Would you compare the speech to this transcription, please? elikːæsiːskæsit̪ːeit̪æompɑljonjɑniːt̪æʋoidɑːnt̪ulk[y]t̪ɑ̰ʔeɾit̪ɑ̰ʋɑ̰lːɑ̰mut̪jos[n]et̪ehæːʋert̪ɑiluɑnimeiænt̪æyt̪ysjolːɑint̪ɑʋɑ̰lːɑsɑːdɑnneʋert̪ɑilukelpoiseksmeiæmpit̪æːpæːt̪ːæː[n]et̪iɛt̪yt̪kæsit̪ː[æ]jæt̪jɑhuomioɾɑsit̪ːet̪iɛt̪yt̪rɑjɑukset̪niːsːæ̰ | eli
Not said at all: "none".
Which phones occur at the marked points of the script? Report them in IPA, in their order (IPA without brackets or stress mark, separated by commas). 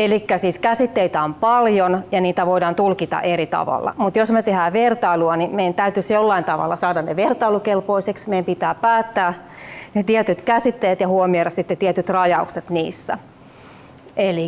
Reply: i, m, n, e